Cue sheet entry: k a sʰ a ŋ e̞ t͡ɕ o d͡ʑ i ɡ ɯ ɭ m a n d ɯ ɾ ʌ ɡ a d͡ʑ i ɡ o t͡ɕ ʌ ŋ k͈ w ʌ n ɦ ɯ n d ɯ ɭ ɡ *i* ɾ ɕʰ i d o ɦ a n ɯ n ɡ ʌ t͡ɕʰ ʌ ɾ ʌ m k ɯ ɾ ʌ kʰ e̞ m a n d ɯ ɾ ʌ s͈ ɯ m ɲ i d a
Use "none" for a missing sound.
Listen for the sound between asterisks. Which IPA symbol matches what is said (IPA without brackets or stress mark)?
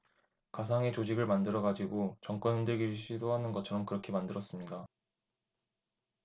i